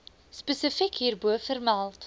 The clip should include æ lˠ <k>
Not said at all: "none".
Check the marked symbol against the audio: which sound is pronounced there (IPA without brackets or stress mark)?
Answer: t